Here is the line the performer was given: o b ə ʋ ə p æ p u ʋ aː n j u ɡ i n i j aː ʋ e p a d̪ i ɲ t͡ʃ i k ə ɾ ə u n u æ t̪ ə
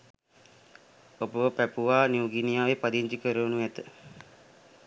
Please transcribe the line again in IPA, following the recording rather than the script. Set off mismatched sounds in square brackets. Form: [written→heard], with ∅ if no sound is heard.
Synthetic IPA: o b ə ʋ ə p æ p u ʋ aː n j u ɡ i n i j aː ʋ e p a d̪ i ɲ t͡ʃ i k ə ɾ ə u n u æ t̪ ə